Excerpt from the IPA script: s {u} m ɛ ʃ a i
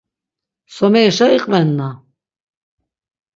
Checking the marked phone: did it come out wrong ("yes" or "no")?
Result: yes